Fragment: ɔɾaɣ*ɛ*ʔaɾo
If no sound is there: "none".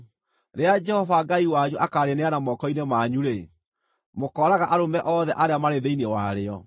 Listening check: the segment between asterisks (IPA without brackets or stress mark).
a